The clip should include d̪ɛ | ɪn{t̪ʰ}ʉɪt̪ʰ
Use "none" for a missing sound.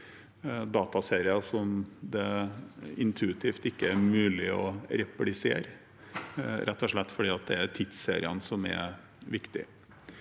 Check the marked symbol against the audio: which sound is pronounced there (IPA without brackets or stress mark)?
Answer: t̪ʰ